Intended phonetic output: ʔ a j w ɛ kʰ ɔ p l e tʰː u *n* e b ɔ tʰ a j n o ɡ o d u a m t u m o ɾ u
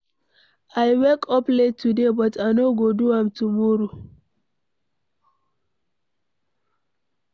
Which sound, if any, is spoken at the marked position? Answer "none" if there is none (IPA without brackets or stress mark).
d